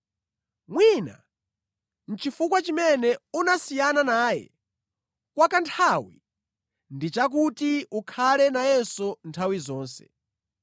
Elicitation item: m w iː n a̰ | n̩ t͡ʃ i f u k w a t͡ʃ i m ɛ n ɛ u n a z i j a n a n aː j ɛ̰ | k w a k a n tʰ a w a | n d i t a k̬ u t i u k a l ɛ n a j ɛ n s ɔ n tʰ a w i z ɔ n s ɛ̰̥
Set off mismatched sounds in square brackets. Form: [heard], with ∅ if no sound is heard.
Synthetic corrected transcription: m w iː n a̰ | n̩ t͡ʃ i f u k w a t͡ʃ i m ɛ n ɛ u n a [s] i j a n a n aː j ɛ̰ | k w a k a n tʰ a w [i] | n d i [t͡ʃ] a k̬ u t i u [kʰ] a l ɛ n a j ɛ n s ɔ n tʰ a w i z [ɔː] n s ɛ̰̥